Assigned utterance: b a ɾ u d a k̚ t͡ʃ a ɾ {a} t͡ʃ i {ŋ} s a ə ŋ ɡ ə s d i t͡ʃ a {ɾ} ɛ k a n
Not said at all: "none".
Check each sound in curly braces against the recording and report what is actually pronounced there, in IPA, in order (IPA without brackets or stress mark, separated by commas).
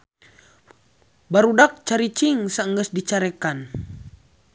i, ŋ, ɾ